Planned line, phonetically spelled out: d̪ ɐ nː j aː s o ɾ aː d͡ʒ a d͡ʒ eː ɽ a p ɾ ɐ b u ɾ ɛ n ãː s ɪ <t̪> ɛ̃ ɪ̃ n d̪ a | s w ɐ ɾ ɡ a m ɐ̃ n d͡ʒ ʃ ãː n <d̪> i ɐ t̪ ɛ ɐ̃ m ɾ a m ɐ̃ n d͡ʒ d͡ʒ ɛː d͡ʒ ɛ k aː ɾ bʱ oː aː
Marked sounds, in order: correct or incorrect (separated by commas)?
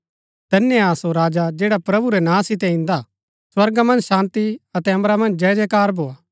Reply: correct, incorrect